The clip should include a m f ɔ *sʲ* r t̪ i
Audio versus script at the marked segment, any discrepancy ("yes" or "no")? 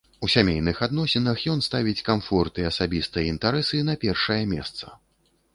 yes